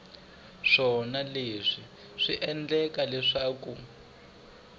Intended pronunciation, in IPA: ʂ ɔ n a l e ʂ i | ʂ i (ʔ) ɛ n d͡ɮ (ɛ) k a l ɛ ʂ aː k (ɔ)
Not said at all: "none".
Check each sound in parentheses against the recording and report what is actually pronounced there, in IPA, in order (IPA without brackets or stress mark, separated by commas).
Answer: ʔ, ɛ, u